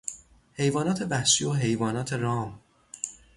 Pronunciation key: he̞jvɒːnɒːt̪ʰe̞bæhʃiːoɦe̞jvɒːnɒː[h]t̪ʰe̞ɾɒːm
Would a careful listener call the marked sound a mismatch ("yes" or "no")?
yes